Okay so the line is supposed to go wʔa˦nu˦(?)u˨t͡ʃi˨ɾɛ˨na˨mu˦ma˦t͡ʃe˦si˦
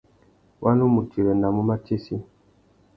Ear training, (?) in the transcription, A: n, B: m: B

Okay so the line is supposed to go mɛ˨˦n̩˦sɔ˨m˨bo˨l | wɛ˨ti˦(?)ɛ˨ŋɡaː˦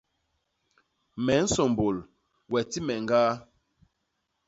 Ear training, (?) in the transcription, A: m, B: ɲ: A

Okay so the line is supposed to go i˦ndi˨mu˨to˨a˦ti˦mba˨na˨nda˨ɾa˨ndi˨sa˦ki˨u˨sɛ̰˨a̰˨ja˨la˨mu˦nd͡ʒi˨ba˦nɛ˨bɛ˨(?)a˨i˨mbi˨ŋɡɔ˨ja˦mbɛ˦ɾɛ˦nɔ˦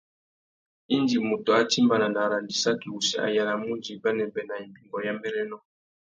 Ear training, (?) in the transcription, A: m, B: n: B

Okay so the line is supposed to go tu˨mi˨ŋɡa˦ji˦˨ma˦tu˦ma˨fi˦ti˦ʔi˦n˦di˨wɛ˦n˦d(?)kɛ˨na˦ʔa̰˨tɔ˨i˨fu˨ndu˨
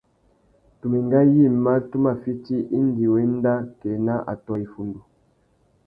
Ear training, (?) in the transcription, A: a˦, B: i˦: A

